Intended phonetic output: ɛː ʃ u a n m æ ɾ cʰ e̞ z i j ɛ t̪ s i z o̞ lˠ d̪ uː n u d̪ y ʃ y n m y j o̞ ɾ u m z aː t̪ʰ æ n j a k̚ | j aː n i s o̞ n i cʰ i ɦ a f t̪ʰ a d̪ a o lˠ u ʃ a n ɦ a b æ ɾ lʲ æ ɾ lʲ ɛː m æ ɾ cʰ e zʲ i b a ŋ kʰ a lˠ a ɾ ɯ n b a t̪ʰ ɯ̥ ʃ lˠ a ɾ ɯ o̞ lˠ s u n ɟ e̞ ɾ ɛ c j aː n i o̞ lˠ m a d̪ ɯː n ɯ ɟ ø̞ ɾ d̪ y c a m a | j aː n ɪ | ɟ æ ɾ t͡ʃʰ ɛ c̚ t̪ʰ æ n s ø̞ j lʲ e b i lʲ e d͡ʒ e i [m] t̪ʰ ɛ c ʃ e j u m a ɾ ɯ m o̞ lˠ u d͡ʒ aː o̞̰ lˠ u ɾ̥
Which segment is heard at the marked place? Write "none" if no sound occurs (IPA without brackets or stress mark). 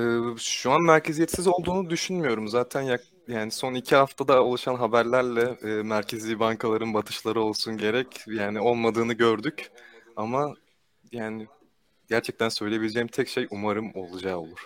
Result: m